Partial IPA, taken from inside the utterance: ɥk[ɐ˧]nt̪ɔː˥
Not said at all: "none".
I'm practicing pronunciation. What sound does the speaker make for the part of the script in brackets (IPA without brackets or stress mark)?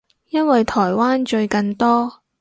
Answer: ɐ˧